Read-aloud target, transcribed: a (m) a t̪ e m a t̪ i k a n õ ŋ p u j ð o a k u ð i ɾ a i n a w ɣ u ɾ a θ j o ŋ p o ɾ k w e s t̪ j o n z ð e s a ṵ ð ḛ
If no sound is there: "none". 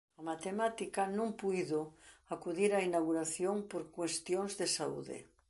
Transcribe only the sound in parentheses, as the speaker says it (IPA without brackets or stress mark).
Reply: m